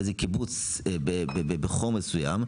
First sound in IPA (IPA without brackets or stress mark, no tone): z